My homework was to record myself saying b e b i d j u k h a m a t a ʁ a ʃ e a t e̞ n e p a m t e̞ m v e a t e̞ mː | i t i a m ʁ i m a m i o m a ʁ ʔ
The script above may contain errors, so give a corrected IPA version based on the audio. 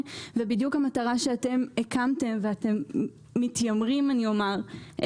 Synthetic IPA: v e b i d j u k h a m a t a ʁ a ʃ e a t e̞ m e k a m t e̞ m v e a t e̞ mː | i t j a m ʁ i m a n i o m a ʁ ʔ

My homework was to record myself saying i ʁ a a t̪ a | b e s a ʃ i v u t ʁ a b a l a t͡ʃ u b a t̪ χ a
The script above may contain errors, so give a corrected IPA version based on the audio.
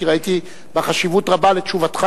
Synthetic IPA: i ʁ a i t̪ i | b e χ a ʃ i v u t ʁ a b a l e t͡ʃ u v a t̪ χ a

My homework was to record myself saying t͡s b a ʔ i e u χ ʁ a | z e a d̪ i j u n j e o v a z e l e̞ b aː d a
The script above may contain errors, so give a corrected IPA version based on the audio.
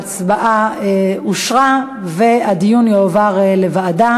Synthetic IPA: t͡s b a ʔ a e u ʃ ʁ a | v e a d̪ i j u n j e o v a ʁ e l e̞ v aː d a

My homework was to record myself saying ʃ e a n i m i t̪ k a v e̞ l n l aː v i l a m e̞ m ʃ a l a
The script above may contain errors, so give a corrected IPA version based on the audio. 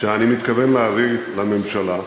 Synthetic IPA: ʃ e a n i m i t̪ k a v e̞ n l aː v i l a m e̞ m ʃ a l a

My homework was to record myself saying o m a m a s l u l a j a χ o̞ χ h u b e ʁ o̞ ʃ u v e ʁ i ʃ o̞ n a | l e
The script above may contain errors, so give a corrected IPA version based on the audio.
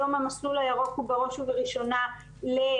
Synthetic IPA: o m a m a s l u l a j a ʁ o̞ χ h u b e ʁ o̞ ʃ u v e ʁ i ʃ o̞ n a | l e

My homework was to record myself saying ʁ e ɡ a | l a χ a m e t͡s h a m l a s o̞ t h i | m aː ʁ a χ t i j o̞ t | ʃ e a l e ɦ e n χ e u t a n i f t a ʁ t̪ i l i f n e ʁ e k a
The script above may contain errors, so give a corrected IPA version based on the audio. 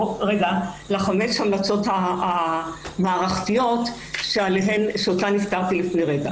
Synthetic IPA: ʁ e ɡ a | l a χ a m e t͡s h a m l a t͡s o̞ t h a | m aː ʁ a χ t i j o̞ t | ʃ e a l e ɦ e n ʃ e o t a n i f t a ʁ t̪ i l i f n e ʁ e ɡ a

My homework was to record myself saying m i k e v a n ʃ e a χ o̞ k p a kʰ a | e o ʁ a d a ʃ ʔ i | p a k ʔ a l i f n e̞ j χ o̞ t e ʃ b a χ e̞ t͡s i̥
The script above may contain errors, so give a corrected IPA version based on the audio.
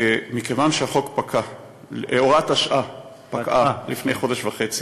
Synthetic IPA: m i k e v a n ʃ e a χ o̞ k p a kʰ a | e o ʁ a t a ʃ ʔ a | p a k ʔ a l i f n e̞ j χ o̞ d e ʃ v a χ e̞ t͡s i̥

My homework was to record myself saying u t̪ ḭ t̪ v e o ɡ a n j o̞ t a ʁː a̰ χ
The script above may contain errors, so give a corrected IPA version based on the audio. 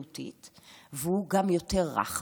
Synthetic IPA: u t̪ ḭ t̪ v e u ɡ a m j o̞ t e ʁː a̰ χ

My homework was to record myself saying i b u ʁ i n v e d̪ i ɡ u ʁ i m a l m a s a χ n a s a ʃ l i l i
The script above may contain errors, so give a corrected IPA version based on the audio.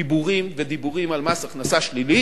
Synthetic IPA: i b u ʁ i m v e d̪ i b u ʁ i m a l m a s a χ n a s a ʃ l i l i

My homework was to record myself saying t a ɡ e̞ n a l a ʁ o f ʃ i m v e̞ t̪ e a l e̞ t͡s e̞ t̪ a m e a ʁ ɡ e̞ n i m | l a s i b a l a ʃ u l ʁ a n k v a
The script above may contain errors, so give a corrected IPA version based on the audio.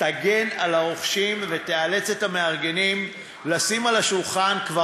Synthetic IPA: t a ɡ e̞ n a l a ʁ o χ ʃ i m v e̞ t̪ e a l e̞ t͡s e̞ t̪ a m e a ʁ ɡ e̞ n i m | l a s i m a l a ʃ u l χ a n k v a

